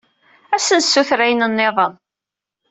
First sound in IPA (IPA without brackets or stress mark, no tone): æ